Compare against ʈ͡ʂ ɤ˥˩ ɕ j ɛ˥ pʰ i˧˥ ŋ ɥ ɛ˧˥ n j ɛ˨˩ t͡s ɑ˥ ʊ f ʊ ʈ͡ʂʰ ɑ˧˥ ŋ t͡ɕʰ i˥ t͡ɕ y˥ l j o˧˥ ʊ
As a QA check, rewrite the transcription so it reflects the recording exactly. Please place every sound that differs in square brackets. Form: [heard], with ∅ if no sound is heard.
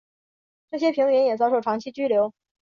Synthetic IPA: ʈ͡ʂ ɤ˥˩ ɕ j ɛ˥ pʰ i˧˥ ŋ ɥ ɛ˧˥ n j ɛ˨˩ t͡s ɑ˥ ʊ [ʂ] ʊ ʈ͡ʂʰ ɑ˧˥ ŋ t͡ɕʰ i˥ t͡ɕ y˥ l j o˧˥ ʊ